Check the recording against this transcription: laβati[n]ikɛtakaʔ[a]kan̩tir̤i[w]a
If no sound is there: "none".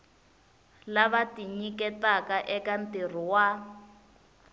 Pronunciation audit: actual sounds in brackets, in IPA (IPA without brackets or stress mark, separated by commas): ɲ, ɛ, w